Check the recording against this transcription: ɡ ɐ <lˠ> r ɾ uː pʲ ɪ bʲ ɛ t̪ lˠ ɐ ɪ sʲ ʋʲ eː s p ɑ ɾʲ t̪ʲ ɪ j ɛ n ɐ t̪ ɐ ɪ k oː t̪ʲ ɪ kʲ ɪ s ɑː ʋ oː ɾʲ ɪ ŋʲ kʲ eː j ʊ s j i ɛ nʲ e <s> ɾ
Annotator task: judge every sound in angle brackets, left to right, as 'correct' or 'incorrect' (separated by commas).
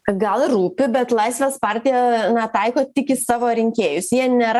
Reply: correct, incorrect